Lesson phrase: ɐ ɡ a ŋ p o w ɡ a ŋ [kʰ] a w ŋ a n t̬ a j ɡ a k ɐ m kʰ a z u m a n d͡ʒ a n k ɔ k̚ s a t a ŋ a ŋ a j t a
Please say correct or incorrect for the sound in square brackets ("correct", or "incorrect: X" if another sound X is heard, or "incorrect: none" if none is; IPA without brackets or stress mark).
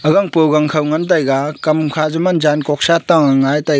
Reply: correct